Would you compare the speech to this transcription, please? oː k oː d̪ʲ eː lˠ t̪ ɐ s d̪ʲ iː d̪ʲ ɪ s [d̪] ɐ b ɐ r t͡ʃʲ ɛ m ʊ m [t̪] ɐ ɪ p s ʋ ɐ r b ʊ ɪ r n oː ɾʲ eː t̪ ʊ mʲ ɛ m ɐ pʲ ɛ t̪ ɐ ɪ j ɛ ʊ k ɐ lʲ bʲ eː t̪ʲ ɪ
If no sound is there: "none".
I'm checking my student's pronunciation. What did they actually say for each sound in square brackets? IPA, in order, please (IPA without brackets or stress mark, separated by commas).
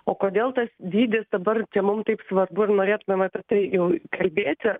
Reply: d̪, t̪